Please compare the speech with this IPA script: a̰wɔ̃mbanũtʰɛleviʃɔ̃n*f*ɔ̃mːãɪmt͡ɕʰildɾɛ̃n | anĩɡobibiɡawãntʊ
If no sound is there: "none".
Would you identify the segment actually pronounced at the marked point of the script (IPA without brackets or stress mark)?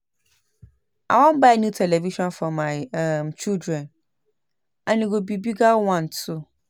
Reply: f